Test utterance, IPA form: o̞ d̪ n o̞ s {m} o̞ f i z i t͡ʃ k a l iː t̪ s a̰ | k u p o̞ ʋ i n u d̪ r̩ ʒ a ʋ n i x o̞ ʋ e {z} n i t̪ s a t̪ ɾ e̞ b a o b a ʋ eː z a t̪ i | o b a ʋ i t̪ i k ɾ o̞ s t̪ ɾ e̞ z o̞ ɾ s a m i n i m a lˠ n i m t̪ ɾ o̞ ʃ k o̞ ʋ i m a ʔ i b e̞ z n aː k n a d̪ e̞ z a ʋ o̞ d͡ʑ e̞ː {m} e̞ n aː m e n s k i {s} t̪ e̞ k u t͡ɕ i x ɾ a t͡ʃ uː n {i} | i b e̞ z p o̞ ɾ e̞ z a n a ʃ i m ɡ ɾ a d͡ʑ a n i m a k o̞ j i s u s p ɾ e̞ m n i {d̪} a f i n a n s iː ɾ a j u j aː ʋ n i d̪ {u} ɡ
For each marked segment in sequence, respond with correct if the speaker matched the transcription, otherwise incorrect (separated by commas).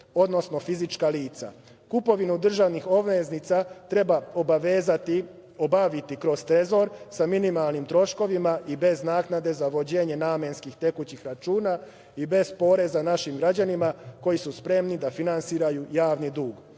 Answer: incorrect, correct, incorrect, incorrect, incorrect, correct, incorrect